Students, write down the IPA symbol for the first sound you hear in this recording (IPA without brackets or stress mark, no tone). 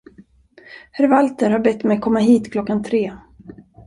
h